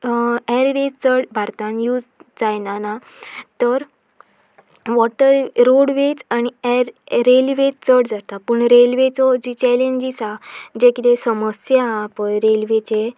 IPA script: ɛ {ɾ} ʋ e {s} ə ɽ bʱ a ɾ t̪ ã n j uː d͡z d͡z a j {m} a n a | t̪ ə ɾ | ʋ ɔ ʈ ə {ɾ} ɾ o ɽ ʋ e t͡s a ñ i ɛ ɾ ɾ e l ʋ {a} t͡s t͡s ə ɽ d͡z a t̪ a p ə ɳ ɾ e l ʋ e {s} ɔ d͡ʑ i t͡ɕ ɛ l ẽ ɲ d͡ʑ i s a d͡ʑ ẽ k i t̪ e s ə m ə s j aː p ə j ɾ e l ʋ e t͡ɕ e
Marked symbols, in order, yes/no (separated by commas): yes, no, no, yes, no, no